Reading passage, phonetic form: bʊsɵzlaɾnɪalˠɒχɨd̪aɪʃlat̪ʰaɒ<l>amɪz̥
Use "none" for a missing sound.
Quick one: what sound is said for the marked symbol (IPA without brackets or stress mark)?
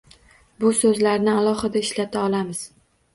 l